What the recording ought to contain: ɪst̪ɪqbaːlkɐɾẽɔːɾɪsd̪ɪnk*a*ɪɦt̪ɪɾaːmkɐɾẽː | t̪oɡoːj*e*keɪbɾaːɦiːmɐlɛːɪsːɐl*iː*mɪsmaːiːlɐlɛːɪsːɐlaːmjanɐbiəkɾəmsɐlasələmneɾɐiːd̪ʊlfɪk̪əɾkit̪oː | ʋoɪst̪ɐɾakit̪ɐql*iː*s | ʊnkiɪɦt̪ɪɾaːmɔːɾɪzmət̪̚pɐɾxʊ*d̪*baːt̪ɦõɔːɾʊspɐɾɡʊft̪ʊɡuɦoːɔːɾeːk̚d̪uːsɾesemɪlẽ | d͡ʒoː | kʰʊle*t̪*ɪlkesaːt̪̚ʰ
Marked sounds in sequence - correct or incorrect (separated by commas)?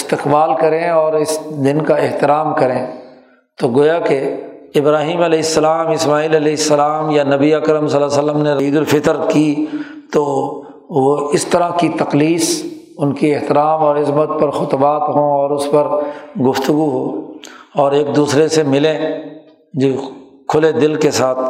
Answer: correct, incorrect, incorrect, correct, incorrect, incorrect